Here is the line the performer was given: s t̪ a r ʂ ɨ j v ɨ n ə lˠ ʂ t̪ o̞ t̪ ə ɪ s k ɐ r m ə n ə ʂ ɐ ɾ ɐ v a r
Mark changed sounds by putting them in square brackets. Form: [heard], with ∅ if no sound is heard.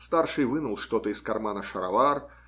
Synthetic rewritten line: s t̪ a r ʂ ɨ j v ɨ n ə lˠ ʂ t̪ o̞ t̪ ə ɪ s k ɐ r m [a] n ə ʂ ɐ ɾ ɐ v a r